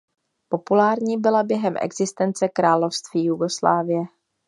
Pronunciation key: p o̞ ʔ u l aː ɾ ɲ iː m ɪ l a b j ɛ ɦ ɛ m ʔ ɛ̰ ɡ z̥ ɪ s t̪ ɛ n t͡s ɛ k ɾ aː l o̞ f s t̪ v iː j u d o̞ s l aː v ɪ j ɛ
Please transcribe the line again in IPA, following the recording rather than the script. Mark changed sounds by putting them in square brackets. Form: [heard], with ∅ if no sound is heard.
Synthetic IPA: p o̞ [p] u l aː ɾ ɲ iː [b] ɪ l a b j ɛ ɦ ɛ m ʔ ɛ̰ ɡ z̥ ɪ s t̪ ɛ n t͡s ɛ k ɾ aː l o̞ f s t̪ v iː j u [ɡ] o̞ s l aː v ɪ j ɛ